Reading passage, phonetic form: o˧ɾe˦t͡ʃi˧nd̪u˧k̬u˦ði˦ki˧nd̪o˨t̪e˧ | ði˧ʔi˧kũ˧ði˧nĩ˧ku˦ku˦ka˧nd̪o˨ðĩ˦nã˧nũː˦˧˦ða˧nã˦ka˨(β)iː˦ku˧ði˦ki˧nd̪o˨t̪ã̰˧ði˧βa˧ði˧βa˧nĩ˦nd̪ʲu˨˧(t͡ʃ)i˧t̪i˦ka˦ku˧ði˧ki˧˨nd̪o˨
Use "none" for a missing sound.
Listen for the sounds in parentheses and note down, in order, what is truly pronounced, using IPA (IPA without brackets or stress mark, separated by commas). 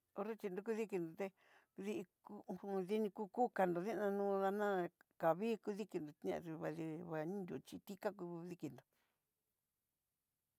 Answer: β, t͡ʃ